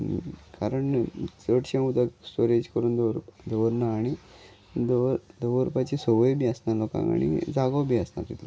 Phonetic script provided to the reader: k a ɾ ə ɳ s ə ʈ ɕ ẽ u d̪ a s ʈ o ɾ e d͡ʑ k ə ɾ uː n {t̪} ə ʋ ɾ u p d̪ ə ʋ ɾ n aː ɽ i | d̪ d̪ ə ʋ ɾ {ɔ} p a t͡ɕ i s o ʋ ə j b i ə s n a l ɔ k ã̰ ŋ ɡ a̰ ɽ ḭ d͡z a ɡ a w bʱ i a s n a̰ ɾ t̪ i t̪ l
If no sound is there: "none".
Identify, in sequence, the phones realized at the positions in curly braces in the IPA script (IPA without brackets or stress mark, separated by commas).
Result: d̪, u